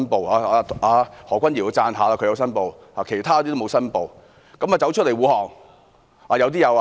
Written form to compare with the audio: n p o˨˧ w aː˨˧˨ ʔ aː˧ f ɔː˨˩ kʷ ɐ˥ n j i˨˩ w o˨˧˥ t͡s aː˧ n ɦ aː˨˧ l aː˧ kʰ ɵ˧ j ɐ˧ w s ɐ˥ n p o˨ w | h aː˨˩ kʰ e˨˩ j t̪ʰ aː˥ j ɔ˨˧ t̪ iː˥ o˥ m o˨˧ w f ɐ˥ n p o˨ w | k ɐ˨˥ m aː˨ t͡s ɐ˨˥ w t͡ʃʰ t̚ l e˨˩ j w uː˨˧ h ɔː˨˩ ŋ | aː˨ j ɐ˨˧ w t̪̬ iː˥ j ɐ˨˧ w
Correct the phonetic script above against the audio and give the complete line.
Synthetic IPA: n p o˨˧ w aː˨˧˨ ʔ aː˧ h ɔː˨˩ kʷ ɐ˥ n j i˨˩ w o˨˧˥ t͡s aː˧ n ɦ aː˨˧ l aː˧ kʰ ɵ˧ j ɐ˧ w s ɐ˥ n p o˨ w | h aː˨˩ kʰ e˨˩ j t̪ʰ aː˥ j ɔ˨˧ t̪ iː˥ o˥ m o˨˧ w s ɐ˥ n p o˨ w | k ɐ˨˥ m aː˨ t͡s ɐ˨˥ w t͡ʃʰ t̚ l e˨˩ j w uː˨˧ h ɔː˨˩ ŋ | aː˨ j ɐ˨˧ w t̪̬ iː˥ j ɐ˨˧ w

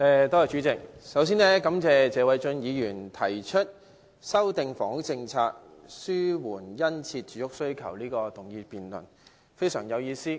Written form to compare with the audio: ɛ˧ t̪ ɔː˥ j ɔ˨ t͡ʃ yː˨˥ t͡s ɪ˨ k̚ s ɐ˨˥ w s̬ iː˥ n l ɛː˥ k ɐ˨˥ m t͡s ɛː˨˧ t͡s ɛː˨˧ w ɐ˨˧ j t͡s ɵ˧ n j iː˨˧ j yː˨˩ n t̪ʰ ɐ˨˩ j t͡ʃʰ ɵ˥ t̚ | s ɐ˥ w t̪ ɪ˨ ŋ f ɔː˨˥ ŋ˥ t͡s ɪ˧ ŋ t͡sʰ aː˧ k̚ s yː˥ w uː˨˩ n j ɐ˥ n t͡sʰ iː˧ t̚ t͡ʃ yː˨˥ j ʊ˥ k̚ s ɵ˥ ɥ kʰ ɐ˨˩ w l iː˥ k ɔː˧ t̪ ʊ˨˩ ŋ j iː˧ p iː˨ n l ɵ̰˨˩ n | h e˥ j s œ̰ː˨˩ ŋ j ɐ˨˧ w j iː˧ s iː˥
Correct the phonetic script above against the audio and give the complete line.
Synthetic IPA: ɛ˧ t̪ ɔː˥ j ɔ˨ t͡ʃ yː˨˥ t͡s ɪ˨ k̚ s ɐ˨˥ w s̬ iː˥ n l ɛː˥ k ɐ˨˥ m t͡s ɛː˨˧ t͡s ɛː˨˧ w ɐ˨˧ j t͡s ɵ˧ n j iː˨˧ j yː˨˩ n t̪ʰ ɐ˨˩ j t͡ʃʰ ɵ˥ t̚ | s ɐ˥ w t̪ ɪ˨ ŋ f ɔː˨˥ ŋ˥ t͡s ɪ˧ ŋ t͡sʰ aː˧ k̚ s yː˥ w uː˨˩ n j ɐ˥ n t͡sʰ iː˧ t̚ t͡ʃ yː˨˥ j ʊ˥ k̚ s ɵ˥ ɥ kʰ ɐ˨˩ w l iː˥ k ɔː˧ t̪ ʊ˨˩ ŋ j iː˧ p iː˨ n l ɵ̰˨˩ n | f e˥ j s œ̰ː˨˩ ŋ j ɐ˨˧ w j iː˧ s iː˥

